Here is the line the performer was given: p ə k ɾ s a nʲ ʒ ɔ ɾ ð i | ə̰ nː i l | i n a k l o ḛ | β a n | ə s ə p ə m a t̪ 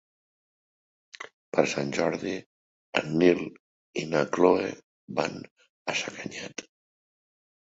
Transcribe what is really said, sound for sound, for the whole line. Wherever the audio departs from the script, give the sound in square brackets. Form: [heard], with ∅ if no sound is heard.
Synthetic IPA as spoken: p ə [∅] ɾ s a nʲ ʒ ɔ ɾ ð i | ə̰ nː i l | i n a k l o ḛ | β a n | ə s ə [k] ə [ɲ] a t̪